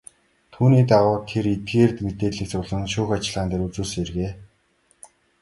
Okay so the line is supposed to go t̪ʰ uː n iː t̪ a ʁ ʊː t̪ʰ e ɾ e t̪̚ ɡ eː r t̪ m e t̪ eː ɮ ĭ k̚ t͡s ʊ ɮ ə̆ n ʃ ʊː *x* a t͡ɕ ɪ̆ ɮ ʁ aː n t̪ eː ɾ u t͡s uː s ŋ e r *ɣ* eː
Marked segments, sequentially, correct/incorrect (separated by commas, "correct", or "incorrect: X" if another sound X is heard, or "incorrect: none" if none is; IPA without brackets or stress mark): correct, correct